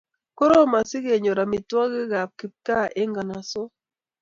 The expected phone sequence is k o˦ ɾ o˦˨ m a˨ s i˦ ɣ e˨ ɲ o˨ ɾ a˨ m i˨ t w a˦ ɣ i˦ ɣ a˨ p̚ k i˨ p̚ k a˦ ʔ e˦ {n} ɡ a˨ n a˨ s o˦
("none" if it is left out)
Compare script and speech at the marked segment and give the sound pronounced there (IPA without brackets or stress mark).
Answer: ŋ